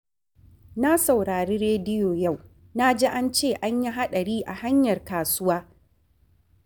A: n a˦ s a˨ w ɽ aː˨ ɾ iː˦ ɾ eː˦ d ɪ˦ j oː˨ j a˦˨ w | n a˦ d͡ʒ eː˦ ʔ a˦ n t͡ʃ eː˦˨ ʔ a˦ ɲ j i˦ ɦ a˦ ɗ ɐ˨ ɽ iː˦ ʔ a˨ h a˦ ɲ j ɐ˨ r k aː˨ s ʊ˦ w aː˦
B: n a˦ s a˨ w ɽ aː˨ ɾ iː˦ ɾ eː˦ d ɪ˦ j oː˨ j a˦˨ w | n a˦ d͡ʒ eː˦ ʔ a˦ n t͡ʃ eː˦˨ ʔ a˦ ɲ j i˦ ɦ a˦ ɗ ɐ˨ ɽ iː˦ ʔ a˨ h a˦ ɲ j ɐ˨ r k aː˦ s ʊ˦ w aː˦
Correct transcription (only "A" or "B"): A